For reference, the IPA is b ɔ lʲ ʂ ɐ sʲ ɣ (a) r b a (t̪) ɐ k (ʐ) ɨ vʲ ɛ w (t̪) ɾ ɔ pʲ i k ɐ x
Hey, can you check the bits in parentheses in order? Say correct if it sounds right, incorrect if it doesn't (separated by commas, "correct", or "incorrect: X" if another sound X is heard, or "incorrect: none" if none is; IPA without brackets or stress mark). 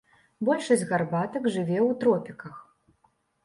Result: correct, correct, correct, correct